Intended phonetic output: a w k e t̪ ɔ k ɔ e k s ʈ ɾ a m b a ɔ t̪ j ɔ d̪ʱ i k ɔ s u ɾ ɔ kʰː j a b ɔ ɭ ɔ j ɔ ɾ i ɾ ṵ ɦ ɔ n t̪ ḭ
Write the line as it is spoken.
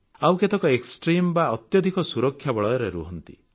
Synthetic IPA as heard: a w k e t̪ ɔ k ɔ e k s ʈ ɾ i m b a ɔ t̪ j ɔ d̪ʱ i k ɔ s u ɾ ɔ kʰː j a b ɔ ɭ ɔ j ɔ ɾ e ɾ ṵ ɦ ɔ n t̪ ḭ

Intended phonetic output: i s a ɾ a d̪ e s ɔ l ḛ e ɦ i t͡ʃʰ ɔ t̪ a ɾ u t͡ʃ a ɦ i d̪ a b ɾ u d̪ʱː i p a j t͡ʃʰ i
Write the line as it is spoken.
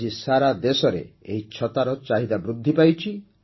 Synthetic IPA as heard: i s a ɾ a d̪ e s ɔ ɾ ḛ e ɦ i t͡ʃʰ ɔ t̪ a ɾ ɔ t͡ʃ a ɦ i d̪ a b ɾ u d̪ʱː i p a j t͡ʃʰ i

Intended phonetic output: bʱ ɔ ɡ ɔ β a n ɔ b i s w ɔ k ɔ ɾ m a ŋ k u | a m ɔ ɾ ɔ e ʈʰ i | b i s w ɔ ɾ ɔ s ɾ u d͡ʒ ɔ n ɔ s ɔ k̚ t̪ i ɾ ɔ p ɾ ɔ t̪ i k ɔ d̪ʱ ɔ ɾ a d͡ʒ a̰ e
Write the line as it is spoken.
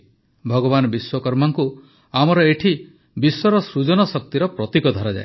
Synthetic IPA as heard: bʱ ɔ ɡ ɔ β a n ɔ b i s w ɔ k ɔ ɾ m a ŋ k u | a m ɔ ɾ ɔ e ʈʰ i | b i s w ɔ ɾ ɔ s ɾ u d͡ʒ ɔ n ɔ s ɔ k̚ t̪ i ɾ ɔ p ɾ ɔ t̪ i k ɔ d̪ʱ ɔ ɾ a d͡ʒ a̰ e

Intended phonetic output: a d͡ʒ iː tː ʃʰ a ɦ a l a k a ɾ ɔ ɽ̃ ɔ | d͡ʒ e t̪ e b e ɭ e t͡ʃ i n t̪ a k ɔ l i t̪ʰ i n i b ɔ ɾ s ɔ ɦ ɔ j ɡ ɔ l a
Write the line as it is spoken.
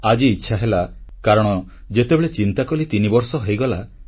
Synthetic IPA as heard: a d͡ʒ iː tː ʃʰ a ɦ e l a k a ɾ ɔ ɽ̃ ɔ | d͡ʒ e t̪ e b e ɭ e t͡ʃ i n t̪ a k ɔ l i t̪ i n i b ɔ ɾ s ɔ ɦ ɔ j ɡ ɔ l a

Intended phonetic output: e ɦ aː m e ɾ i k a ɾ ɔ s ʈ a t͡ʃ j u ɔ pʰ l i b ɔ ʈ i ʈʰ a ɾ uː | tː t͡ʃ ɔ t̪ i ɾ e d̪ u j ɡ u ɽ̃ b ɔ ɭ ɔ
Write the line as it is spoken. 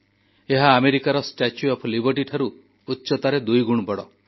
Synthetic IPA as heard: e ɦ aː m e ɾ i k a ɾ ɔ s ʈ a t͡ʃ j u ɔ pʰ l i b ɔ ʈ i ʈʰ a ɾ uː | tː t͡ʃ ɔ t̪ a ɾ e d̪ u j ɡ u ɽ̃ b ɔ ɽ ɔ

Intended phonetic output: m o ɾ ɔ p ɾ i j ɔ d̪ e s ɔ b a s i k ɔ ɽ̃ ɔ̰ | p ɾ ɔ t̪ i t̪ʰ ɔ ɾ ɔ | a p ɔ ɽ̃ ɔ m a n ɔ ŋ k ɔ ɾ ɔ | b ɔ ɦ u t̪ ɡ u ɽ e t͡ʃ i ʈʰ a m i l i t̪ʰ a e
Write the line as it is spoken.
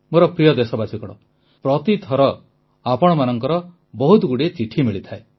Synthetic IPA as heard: m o ɾ ɔ p ɾ i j ɔ d̪ e s ɔ b a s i k ɔ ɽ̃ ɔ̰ | p ɾ ɔ t̪ i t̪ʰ ɔ ɾ ɔ | a p ɔ ɽ̃ ɔ m a n ɔ ŋ k ɔ ɾ ɔ | b ɔ ɦ u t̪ ɡ u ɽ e t͡ʃ i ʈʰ i m i ɭ i t̪ʰ a e

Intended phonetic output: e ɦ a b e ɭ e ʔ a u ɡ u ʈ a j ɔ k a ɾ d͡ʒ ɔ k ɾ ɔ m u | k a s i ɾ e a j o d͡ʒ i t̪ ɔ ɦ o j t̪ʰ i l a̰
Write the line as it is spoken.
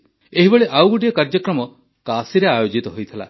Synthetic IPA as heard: e ɦ i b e ɭ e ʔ a w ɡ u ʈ i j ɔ k a ɾ d͡ʒ ɔ k ɾ ɔ m ɔ | k a s i ɾ e a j o d͡ʒ i t̪ ɔ ɦ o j t̪ʰ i l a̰

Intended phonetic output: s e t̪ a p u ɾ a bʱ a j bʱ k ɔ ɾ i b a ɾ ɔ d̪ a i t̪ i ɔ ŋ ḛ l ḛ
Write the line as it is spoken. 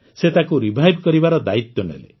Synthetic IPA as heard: s e t̪ a k u ɾ i bʱ a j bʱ k ɔ ɾ i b a ɾ ɔ d̪ a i t̪ j ɔ n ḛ l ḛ

